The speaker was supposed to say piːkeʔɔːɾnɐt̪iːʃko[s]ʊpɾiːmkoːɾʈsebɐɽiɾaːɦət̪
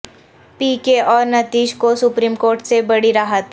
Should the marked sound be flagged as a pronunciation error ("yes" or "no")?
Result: no